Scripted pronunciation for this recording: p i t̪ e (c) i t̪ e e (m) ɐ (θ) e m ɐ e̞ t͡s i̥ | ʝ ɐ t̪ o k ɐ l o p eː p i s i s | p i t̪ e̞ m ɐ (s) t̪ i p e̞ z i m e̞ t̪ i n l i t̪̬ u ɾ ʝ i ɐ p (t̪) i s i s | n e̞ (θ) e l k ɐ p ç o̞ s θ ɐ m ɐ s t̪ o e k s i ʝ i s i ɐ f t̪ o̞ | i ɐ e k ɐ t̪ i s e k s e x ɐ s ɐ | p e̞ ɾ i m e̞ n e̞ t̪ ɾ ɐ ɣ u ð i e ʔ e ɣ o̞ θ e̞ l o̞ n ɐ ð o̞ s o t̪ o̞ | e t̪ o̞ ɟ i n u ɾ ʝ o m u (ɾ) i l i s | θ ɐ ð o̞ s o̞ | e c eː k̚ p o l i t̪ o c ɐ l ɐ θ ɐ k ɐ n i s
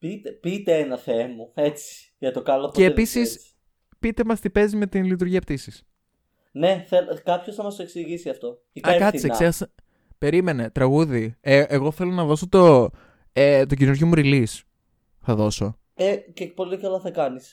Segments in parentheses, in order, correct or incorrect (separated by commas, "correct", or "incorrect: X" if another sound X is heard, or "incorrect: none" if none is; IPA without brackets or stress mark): incorrect: p, incorrect: n, correct, correct, correct, correct, correct